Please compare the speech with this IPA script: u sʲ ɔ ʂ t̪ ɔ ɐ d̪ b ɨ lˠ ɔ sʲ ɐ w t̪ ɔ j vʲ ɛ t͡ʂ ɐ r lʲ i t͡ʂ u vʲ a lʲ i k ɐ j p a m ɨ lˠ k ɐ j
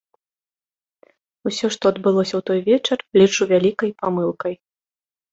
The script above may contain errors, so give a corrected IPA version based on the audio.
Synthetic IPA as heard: u sʲ ɔ ʂ t̪ ɔ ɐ d̪ b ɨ lˠ ɔ sʲ ɐ w t̪ ɔ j vʲ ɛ t͡ʂ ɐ r lʲ i t͡ʂ u vʲ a lʲ i k ɐ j p a m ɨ lˠ k ɐ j